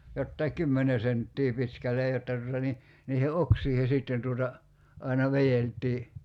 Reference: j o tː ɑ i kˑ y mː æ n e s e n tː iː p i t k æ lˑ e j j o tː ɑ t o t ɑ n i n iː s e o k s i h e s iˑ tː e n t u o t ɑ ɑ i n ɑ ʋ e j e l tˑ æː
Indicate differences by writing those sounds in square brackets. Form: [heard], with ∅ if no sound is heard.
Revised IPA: j o tː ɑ i kˑ y mː [e] n e s e n tː iː p i t k æ lˑ e j j o tː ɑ t [u] t ɑ n i n iː [h] e o k s [iː] h e s iˑ tː e n t u o t ɑ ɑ i n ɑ ʋ e j e l tˑ [iː]